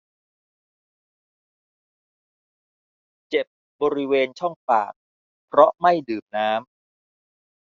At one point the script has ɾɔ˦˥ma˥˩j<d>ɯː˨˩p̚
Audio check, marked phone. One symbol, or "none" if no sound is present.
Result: d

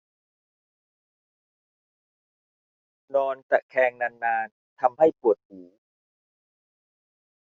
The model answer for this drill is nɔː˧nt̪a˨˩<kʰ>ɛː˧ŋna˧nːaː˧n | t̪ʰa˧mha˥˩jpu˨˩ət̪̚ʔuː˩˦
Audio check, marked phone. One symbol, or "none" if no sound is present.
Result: kʰ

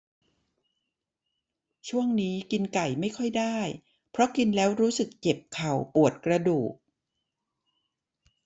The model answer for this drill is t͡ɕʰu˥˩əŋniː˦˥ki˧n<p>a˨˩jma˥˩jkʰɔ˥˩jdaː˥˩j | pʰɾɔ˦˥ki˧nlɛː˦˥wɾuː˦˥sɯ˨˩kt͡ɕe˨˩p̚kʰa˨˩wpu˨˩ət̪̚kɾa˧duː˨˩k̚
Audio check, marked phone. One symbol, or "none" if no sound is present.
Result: k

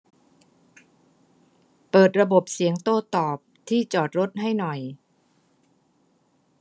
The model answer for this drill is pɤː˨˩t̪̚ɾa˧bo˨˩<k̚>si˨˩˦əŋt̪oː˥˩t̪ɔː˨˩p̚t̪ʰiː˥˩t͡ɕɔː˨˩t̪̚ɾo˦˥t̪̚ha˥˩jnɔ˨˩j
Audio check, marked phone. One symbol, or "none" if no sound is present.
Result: p̚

